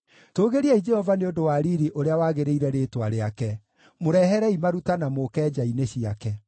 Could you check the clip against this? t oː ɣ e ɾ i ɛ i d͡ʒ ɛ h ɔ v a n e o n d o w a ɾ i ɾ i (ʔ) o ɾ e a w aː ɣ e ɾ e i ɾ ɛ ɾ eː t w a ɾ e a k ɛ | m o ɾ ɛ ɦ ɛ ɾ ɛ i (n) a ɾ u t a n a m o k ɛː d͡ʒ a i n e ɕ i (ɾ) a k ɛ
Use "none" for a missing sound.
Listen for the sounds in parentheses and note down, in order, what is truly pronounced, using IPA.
ʔ, m, none

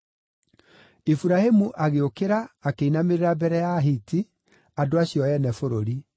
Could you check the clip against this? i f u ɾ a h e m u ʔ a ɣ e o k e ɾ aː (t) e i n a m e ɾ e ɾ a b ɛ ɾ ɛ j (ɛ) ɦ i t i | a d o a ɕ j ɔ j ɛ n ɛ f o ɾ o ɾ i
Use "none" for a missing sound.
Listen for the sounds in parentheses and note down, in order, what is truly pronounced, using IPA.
k, a

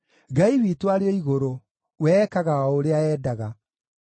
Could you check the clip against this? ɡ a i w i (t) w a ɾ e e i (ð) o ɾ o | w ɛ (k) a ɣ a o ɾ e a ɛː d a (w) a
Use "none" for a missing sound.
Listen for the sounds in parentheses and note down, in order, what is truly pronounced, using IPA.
t, ɣ, k, ɣ

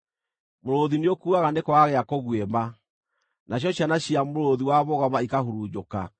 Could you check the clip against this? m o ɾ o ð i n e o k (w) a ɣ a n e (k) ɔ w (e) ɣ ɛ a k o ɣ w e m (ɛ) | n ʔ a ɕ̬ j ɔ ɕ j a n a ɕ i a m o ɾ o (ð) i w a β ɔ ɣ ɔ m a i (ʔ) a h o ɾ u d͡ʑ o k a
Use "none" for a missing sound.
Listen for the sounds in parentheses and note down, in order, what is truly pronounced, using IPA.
u, k, a, a, ð, k

